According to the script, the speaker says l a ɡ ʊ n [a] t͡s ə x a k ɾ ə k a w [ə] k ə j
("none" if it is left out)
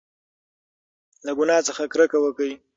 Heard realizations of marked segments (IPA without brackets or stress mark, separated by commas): ɑ, ə